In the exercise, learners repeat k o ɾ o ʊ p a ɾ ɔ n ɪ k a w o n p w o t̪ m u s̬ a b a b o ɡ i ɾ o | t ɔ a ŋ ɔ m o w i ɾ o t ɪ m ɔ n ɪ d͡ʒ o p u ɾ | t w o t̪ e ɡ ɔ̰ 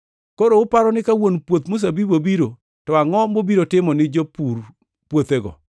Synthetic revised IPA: k o ɾ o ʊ p a ɾ ɔ n ɪ k a w o n p w o t̪ m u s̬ a b i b o b i ɾ o | t ɔ a ŋ ɔ m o b i ɾ o t ɪ m ɔ n ɪ d͡ʒ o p u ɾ | p w o t̪ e ɡ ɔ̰